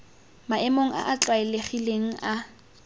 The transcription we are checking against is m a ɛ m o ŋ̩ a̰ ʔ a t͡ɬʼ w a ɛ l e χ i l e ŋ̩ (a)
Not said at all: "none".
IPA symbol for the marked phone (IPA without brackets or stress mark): a